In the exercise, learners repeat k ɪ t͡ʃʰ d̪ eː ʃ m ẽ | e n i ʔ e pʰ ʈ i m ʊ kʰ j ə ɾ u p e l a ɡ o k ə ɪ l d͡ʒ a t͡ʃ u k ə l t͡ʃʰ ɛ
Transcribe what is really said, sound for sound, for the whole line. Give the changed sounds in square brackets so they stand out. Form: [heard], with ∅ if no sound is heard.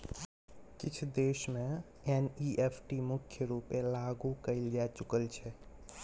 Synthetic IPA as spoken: k ɪ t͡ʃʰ d̪ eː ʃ m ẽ | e n i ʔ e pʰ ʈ i m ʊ kʰ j ə ɾ u p e l a ɡ [u] k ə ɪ l d͡ʒ a t͡ʃ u k ə l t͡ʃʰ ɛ

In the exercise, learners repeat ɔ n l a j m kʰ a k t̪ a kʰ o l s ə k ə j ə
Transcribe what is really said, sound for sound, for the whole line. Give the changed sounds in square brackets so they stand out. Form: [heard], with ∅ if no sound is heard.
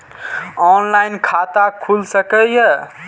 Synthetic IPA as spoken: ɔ n l a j [n] kʰ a [∅] t̪ a kʰ [u] l s ə k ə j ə

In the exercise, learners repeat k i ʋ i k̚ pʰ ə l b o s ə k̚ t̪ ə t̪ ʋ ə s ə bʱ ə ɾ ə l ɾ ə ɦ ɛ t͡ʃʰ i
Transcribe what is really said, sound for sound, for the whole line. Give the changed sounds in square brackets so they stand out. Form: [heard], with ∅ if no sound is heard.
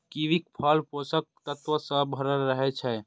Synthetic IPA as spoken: k i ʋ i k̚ pʰ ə l [p] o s ə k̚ t̪ ə t̪ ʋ ə s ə bʱ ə ɾ ə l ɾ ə ɦ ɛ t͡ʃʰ [ɛ]

